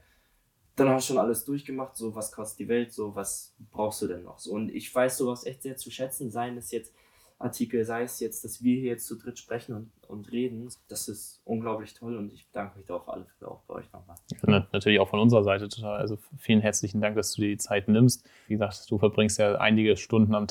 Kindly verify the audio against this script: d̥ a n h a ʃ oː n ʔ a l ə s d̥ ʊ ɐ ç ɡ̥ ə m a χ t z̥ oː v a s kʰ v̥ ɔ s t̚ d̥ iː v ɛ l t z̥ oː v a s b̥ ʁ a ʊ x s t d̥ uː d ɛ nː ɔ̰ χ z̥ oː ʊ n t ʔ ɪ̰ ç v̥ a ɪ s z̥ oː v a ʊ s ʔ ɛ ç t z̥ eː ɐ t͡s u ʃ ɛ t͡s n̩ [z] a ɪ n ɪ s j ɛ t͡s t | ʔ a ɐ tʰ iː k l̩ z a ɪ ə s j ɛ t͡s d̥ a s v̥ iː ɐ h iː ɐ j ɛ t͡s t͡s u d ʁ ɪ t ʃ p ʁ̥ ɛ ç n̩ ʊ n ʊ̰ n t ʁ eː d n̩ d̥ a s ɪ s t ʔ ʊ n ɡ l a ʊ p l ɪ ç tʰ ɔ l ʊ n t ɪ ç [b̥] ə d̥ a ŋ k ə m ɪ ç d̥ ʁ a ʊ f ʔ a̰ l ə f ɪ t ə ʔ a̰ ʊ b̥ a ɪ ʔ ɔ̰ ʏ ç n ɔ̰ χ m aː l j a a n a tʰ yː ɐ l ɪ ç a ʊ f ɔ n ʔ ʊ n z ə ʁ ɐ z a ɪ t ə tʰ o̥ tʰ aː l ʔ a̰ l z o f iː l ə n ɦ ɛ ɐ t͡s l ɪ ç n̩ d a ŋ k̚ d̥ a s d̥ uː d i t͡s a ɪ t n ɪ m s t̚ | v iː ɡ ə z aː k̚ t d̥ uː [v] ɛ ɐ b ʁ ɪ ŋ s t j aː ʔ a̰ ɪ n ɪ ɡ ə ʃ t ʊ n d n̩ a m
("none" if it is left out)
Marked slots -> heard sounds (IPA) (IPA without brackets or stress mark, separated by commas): z, b̥, f